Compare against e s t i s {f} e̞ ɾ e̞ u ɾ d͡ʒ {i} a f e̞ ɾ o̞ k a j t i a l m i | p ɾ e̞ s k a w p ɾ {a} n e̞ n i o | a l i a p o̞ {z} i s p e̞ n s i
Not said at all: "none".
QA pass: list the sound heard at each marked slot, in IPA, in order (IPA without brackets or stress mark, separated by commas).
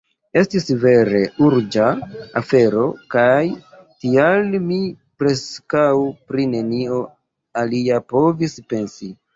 v, a, i, v